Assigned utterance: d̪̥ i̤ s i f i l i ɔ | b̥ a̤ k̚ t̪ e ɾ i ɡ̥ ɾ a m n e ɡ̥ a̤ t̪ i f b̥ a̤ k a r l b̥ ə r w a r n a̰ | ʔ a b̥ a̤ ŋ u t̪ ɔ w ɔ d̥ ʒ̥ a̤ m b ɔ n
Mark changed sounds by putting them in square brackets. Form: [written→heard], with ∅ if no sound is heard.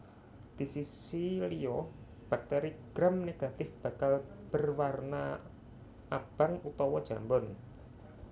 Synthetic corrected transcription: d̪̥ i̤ s i [f→s] i l i ɔ | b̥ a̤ k̚ t̪ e ɾ i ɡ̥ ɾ a m n e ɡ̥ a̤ t̪ [i→ɪ] f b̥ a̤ k a [r→∅] l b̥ ə r w a r n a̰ | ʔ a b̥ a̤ ŋ u t̪ ɔ w ɔ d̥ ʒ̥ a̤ m b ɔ n